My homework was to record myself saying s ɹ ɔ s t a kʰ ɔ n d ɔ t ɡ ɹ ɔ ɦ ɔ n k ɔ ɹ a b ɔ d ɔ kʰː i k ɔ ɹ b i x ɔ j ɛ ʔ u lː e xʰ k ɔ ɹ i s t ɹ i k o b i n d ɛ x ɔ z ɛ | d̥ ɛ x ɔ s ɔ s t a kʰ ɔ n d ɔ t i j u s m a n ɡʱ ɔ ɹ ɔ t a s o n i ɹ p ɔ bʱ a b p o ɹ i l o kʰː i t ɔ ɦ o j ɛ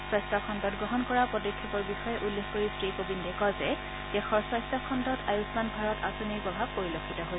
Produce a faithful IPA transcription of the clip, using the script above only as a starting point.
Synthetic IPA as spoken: s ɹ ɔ s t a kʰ ɔ n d ɔ t ɡ ɹ ɔ ɦ ɔ n k ɔ ɹ a p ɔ d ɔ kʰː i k ɔ ɹ b i x ɔ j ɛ ʔ u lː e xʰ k o ɹ i s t ɹ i k o b i n d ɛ k ɔ z ɛ | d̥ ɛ x ɔ s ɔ s t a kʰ ɔ n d ɔ t a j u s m a n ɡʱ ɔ ɹ ɔ t a s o n i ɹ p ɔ bʱ a b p o ɹ i l o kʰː i t ɔ ɦ o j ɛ